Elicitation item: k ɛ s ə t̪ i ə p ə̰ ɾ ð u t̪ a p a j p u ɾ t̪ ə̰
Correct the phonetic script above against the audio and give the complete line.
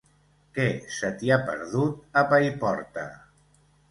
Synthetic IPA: k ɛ s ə t̪ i a p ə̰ ɾ ð u t̪ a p a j p ɔ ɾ t̪ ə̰

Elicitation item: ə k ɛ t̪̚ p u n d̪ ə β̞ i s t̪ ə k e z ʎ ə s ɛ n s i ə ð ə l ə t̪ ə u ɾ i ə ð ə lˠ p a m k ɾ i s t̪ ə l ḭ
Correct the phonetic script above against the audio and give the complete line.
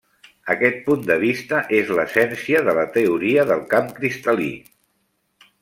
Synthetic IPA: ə k ɛ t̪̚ p u n d̪ ə β̞ i s t̪ ə ʔ e z l ə s ɛ n s i ə ð ə l ə t̪ ə u ɾ i ə ð ə lˠ k a m k ɾ i s t̪ ə l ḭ

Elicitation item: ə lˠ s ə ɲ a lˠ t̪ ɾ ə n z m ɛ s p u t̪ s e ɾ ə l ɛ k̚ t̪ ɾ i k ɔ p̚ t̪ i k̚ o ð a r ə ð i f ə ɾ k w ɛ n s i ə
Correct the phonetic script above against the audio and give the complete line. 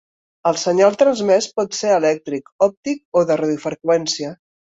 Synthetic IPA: ə lˠ s ə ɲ a lˠ t̪ ɾ ə n z m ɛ s p ɔ t̪ s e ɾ ə l ɛ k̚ t̪ ɾ i k ɔ p̚ t̪ i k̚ o ð ə r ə ð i f ə ɾ k w ɛ n s i ə

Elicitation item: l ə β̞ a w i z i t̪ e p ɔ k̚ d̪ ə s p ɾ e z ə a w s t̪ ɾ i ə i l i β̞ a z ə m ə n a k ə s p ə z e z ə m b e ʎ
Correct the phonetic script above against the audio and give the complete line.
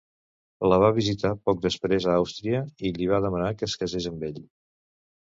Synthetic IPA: l ə β̞ a β i z i t̪ a p ɔ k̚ d̪ ə s p ɾ e z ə a w s t̪ ɾ i ə i l i β̞ a ð ə m ə n a k ə s k ə z e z ə m b e ʎ

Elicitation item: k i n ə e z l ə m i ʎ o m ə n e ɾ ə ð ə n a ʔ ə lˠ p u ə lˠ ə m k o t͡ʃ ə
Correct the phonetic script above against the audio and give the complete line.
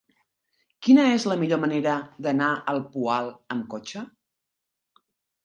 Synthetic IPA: k i n ə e z l ə m i ʎ o m ə n e ɾ ə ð ə n a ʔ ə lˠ p u a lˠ ə m k o t͡ʃ ə

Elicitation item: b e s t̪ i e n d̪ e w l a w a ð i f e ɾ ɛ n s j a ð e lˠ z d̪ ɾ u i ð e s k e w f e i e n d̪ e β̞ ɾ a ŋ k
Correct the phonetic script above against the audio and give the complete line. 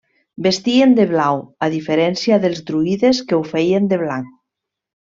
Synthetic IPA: b e s t̪ i e n d̪ e β l a w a ð i f e ɾ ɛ n s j a ð e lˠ z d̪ ɾ u i ð e s k e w f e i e n d̪ e β̞ l a ŋ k

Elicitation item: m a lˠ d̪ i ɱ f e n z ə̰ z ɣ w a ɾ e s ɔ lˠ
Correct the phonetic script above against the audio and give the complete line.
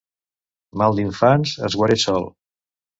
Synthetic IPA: m a lˠ d̪ i ɱ f a n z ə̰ z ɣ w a ɾ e s ɔ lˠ

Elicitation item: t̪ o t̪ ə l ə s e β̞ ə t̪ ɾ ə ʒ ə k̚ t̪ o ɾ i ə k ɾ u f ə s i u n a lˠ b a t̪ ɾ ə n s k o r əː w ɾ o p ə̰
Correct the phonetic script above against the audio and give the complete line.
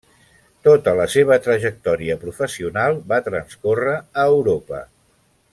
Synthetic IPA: t̪ o t̪ ə l ə s e β̞ ə t̪ ɾ ə ʒ ə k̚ t̪ ɔ ɾ i ə p ɾ u f ə s i u n a lˠ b a t̪ ɾ ə n s k o r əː w ɾ o p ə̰

